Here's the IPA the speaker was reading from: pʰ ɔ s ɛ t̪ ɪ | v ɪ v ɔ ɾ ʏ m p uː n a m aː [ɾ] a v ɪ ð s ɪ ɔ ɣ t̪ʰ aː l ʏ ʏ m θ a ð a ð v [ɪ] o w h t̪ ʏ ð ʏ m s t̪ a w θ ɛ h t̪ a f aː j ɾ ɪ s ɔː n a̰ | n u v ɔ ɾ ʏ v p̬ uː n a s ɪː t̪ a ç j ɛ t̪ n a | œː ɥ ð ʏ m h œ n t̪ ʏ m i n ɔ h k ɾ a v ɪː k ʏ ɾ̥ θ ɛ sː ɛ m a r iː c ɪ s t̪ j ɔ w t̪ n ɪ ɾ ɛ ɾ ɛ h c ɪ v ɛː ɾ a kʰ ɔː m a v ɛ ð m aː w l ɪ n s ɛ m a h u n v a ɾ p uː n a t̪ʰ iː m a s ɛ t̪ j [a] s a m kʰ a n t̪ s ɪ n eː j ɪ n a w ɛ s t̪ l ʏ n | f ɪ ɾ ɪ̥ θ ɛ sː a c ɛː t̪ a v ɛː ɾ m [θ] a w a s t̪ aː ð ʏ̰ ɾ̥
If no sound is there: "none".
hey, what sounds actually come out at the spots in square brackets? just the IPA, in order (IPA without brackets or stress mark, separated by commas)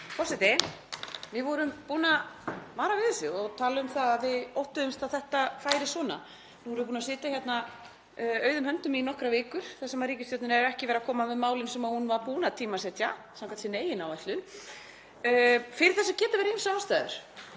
ɾ, ɪ, a, s